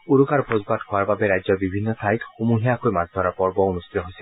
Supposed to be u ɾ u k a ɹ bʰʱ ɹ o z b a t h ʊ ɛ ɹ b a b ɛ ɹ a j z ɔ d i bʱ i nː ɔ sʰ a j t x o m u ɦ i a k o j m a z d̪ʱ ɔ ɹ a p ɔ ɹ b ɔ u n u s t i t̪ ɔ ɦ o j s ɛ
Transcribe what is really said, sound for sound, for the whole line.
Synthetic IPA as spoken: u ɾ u k a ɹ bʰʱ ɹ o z b a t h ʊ a ɹ b a b ɛ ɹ a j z ɔ b i bʱ i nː ɔ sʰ a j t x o m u ɦ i a k o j m a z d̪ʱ ɔ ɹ a p ɔ ɹ b ɔ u n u s t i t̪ ɔ ɦ o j s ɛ

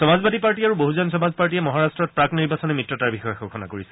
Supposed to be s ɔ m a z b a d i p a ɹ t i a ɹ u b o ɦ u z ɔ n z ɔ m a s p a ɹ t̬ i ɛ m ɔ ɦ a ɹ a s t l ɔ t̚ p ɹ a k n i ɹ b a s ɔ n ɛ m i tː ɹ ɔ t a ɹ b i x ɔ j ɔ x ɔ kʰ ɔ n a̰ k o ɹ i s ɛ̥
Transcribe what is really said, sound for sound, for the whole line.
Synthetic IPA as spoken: s ɔ m a z b a d i p a ɹ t i a ɹ u b o ɦ u z ɔ n s ɔ m a z p a ɹ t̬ i ɛ m ɔ ɦ a ɹ a s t ɹ ɔ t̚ p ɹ a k n i ɹ b a s ɔ n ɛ m i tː ɹ ɔ t a ɹ b i x ɔ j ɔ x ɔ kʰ ɔ n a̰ k o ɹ i s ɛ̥

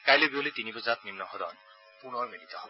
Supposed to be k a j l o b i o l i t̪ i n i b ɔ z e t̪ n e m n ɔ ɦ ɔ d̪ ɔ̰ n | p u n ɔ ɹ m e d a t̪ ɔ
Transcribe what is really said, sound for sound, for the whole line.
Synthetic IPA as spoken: k a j l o b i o l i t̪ i n i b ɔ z a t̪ n i m n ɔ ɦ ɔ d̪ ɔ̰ n | p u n ɔ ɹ m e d i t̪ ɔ

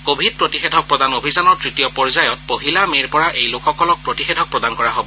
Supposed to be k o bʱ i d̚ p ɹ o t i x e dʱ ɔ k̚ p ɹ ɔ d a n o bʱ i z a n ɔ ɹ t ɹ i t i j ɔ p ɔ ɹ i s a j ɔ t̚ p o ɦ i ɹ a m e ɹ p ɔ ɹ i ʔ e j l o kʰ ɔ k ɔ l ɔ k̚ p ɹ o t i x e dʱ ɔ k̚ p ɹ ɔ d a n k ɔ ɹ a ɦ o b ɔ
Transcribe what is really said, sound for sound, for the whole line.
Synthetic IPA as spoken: k o bʱ i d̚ p ɹ o t i x e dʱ ɔ k̚ p ɹ ɔ d a n o bʱ i z a n ɔ ɹ t ɹ i t i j ɔ p ɔ ɹ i z a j ɔ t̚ p o ɦ i l a m e ɹ p ɔ ɹ a ʔ e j l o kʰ ɔ k ɔ l ɔ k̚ p ɹ o t i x e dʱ ɔ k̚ p ɹ ɔ d a n k ɔ ɹ a ɦ o b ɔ

